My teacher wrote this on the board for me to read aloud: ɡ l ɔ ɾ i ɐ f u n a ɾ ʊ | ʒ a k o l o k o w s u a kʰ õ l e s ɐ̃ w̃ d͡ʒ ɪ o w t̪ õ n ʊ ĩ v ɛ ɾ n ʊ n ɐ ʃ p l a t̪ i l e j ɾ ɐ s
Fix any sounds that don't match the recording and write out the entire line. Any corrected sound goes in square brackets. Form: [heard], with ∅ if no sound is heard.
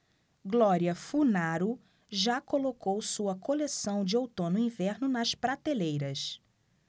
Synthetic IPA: ɡ l ɔ ɾ i ɐ f u n a ɾ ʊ | ʒ a k o l o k o w s u [ɐ] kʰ [o] l e s ɐ̃ w̃ d͡ʒ ɪ o w t̪ õ n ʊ ĩ v ɛ ɾ n ʊ n ɐ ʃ p [ɾ] a t̪ [e] l e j ɾ ɐ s